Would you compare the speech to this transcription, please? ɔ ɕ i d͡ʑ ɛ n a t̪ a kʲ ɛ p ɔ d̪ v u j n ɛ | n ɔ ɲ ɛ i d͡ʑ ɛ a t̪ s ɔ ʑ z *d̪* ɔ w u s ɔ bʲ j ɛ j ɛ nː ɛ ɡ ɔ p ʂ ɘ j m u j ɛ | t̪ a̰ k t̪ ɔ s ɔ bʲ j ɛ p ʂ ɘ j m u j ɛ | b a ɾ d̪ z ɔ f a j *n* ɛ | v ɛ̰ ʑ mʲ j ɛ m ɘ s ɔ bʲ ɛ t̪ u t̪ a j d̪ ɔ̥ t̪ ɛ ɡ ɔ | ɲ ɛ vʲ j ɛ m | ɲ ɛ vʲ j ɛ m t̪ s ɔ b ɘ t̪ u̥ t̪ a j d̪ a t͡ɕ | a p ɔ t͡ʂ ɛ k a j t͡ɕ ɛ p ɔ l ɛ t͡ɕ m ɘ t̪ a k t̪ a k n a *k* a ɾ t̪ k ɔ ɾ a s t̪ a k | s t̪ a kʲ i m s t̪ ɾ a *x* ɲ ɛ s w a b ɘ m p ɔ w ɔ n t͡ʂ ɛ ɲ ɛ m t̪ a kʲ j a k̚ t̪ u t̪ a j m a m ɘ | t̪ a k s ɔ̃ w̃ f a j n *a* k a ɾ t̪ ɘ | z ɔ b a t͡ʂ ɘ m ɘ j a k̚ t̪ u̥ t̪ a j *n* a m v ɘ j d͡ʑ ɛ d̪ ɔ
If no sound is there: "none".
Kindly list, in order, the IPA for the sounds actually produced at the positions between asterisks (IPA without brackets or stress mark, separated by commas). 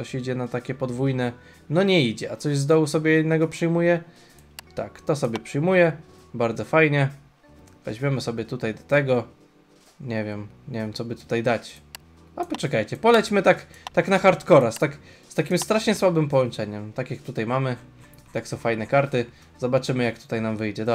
d̪, ɲ, x, ʂ, ɛ, n